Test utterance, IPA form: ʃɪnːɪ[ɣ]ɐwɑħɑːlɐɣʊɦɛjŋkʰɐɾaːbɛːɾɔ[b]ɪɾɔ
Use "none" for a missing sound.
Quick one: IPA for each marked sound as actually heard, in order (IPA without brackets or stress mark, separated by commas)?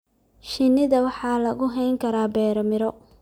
ð, m